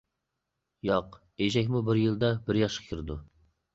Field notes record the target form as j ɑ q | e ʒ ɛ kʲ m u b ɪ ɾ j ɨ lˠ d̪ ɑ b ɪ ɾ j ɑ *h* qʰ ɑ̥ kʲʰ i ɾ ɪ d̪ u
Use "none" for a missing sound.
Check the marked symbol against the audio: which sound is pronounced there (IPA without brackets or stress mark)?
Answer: ʃ